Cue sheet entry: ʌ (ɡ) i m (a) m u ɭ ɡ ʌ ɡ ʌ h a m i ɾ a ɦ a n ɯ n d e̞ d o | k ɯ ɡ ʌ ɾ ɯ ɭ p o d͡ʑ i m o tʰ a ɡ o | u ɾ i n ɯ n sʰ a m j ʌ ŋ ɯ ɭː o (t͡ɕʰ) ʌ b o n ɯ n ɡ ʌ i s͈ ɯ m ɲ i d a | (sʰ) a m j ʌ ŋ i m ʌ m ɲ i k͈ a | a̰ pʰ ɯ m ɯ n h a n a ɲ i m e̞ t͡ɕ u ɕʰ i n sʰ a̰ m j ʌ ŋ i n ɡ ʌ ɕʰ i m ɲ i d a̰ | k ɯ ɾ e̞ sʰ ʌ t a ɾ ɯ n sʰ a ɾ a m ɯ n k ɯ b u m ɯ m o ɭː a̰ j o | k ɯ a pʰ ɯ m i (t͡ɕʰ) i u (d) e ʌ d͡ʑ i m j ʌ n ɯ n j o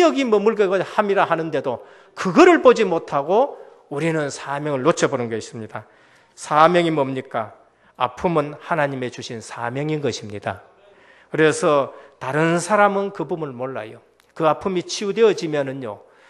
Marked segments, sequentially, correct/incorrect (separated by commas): correct, incorrect, correct, correct, correct, correct